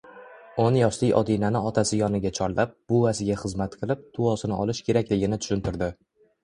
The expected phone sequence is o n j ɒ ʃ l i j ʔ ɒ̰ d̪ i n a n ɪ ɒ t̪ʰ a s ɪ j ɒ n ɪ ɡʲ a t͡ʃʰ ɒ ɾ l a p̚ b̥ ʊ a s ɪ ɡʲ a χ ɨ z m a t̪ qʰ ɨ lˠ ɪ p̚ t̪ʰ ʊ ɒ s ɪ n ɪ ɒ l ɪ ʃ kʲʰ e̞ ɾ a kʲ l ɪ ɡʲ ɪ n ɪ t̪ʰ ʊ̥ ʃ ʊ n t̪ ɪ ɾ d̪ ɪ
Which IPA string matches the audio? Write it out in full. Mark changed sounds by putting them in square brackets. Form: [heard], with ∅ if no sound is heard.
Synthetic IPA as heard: o n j ɒ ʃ l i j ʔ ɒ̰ d̪ i n a n ɪ ɒ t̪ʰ a s ɪ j ɒ n ɪ ɡʲ a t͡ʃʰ ɒ ɾ l a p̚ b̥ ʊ a s ɪ ɡʲ a χ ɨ z m a t̪ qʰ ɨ lˠ ɪ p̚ t̪ʰ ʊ ɒ s ɪ n ɪ ɒ l ɪ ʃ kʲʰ e̞ ɾ a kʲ l ɪ ɡʲ ɪ n ɪ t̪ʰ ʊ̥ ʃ ʊ n t̪ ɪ ɾ d̪ ɪ